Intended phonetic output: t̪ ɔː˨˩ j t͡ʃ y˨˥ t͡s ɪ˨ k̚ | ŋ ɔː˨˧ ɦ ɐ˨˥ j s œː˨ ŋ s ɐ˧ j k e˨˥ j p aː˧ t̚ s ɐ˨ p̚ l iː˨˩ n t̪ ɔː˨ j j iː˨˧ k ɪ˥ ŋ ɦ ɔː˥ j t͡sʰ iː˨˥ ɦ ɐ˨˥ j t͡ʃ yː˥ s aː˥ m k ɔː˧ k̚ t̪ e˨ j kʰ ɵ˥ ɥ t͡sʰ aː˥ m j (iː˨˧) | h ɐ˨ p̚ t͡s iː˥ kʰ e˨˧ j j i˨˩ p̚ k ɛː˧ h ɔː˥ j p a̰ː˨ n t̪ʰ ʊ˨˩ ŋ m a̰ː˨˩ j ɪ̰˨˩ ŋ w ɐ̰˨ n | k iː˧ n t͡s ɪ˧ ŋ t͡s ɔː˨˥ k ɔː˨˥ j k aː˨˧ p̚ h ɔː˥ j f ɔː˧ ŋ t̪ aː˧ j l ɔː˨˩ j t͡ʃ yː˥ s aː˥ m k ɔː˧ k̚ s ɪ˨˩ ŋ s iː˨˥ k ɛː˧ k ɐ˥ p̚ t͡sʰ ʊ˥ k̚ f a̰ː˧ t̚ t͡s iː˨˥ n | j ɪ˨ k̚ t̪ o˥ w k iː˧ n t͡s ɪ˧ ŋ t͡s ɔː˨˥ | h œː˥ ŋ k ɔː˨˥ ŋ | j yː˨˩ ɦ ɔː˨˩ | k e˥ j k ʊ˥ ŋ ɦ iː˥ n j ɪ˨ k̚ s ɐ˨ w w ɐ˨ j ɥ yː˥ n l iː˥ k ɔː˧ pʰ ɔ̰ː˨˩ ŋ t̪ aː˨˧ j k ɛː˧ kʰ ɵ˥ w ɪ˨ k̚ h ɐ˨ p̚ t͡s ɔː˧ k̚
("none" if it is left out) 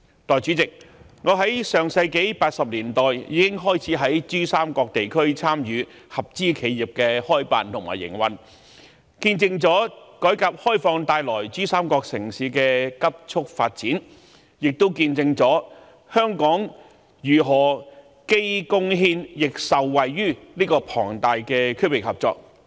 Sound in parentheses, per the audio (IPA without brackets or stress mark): yː˨˧